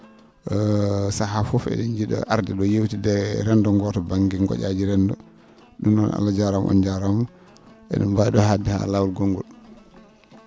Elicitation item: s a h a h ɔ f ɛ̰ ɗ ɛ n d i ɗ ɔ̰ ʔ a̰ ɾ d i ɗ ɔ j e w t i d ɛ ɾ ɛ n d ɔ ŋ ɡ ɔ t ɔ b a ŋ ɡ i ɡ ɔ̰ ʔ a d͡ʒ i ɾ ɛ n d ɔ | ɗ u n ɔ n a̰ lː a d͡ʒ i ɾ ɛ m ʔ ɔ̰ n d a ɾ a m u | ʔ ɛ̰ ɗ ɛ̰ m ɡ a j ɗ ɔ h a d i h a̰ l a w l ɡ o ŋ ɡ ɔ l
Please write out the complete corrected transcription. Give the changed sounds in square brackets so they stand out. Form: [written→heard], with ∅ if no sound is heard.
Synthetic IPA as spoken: s a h a [h→f] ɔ f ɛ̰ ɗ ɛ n [d→d͡ʒ] i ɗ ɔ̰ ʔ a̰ ɾ d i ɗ ɔ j e w t i d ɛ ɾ ɛ n d ɔ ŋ ɡ ɔ t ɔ b a ŋ ɡ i ɡ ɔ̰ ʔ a d͡ʒ i ɾ ɛ n d ɔ | ɗ u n ɔ n a̰ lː a d͡ʒ [i→a] ɾ [ɛ→a] m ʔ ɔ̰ n [d→d͡ʒ] a ɾ a m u | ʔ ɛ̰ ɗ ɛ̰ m [ɡ→b] a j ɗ ɔ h a d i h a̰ l a w l ɡ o ŋ ɡ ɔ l